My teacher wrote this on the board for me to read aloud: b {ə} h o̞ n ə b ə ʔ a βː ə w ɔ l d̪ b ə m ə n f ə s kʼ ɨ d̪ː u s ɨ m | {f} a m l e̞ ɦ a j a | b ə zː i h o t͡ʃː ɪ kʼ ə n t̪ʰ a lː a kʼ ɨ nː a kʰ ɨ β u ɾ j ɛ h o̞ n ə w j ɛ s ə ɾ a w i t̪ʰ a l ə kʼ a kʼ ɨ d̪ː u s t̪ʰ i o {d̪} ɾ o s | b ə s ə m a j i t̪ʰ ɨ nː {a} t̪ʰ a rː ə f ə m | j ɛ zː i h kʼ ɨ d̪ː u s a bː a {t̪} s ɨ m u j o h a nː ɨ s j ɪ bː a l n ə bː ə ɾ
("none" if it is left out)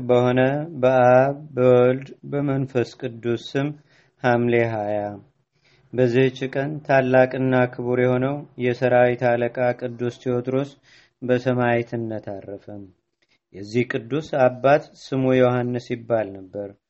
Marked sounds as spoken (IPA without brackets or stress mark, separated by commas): ə, h, t̪, ə, t̪